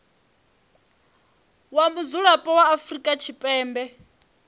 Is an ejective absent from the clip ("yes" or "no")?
no